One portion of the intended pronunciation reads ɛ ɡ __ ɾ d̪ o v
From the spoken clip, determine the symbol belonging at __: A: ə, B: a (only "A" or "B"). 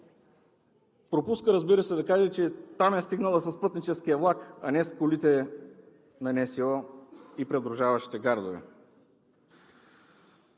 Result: B